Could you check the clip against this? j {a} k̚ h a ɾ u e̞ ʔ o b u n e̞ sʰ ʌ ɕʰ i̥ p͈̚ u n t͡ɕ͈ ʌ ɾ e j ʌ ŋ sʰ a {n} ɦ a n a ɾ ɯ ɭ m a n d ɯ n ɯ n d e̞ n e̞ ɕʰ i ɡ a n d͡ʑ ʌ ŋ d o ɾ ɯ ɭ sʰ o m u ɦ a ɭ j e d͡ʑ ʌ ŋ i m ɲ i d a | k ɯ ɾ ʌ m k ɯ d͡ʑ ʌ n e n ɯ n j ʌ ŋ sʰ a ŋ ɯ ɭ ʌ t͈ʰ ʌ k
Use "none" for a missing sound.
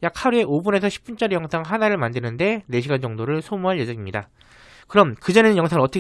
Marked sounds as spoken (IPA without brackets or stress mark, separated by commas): a, ŋ